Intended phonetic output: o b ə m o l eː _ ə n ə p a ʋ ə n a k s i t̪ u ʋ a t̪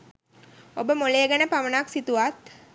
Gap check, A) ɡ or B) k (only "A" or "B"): A